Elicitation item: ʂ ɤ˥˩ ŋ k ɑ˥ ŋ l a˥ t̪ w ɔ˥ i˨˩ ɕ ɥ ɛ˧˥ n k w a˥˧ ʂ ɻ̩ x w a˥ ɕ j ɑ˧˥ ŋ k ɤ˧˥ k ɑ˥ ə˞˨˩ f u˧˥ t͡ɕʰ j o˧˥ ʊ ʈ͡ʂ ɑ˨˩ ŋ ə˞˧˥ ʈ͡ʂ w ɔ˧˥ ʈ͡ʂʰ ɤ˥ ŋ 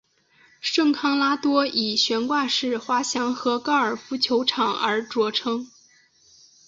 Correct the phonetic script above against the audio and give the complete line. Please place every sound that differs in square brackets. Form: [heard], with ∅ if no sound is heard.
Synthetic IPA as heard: ʂ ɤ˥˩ ŋ [kʰ] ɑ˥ ŋ l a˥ t̪ w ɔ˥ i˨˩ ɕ ɥ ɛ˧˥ n k w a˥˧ ʂ ɻ̩ x w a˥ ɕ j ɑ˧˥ ŋ [x] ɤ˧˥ k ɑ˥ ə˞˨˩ f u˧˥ t͡ɕʰ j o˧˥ ʊ [ʈ͡ʂʰ] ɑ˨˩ ŋ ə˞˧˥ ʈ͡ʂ w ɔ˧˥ ʈ͡ʂʰ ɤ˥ ŋ